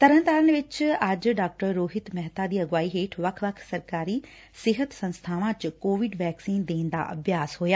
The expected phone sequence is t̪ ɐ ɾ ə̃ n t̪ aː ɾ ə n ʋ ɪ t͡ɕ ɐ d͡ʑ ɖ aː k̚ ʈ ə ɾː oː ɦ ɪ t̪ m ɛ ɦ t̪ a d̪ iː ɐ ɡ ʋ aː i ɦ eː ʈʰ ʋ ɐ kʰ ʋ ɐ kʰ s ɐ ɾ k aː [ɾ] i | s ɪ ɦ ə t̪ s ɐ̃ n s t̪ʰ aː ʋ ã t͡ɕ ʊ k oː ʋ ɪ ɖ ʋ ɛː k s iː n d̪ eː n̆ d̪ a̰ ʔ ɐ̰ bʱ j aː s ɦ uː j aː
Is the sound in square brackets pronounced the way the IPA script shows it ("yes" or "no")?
yes